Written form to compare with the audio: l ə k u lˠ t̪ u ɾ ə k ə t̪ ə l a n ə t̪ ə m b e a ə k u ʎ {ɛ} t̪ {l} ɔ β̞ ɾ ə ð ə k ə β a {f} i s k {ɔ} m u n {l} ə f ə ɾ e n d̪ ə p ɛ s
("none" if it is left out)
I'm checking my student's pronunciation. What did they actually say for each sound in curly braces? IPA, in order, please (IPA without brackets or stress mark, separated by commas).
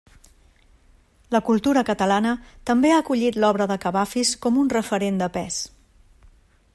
i, l, f, ɔ, r